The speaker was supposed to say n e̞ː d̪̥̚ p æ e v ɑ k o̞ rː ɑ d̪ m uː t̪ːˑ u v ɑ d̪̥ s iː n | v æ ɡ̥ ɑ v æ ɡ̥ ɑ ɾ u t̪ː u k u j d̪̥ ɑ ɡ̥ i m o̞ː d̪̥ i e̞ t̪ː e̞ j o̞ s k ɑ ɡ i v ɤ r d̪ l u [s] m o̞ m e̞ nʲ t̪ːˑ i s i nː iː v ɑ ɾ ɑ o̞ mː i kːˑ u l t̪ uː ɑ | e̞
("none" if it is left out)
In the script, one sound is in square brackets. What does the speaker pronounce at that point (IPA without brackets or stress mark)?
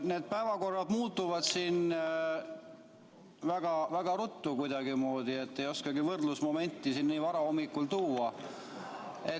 s